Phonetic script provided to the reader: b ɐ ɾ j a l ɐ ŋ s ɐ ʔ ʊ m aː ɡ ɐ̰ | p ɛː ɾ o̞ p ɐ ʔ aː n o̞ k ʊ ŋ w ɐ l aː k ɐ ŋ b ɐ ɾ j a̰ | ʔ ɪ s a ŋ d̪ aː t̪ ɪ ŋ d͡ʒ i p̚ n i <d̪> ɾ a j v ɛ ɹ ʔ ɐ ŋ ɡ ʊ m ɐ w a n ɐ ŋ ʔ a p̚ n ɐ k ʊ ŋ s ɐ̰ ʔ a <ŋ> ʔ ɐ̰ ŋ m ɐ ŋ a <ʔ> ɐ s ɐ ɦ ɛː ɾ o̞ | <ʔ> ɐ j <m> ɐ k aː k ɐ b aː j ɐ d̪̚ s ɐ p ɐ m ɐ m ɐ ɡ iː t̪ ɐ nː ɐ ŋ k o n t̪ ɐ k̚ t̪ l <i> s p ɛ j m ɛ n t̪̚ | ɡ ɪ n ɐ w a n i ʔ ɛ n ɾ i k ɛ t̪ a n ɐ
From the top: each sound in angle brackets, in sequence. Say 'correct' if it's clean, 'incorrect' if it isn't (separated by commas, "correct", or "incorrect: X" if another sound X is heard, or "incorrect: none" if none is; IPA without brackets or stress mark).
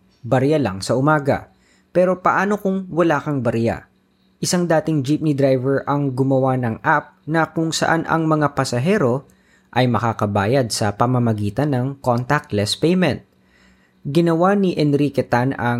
correct, incorrect: n, incorrect: p, correct, correct, incorrect: ɛ